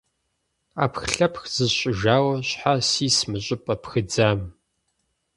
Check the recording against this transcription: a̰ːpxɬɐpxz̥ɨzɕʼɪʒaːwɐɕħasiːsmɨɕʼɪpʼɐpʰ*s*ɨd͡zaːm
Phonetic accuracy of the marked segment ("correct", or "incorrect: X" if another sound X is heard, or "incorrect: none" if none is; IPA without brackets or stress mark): incorrect: x